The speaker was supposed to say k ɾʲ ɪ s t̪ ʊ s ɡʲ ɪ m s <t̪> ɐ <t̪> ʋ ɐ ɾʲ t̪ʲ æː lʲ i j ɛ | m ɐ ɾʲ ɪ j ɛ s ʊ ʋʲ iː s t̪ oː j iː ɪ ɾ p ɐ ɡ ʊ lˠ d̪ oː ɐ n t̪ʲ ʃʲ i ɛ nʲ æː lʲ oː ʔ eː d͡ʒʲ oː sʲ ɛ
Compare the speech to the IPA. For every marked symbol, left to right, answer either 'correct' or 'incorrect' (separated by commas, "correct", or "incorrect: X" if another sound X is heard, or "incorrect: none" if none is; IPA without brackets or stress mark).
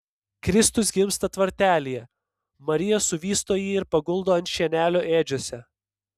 correct, correct